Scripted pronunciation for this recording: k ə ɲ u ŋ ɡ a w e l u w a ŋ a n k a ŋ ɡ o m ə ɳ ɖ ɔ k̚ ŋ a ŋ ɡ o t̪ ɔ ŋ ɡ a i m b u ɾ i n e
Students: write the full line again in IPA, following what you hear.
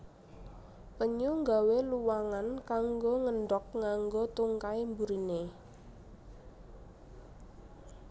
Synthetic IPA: p ə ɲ u ŋ ɡ a w e l u w a ŋ a n k a ŋ ɡ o ŋ ə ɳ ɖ ɔ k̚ ŋ a ŋ ɡ o t̪ u ŋ k a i m b u ɾ i n e